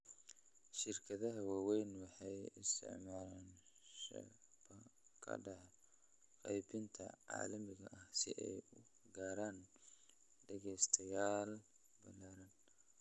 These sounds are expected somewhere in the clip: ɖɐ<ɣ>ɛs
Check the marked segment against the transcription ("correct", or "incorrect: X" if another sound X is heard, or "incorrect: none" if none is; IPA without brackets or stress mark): correct